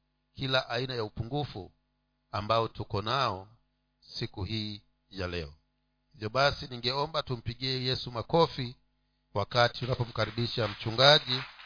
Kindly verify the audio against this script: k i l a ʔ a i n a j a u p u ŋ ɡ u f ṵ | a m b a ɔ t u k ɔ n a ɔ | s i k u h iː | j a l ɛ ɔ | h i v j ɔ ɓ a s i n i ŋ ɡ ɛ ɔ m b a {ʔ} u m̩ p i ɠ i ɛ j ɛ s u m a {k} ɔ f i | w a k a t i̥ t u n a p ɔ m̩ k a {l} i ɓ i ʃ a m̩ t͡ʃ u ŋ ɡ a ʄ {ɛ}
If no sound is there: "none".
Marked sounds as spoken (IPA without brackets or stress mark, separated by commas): t, k, ɾ, i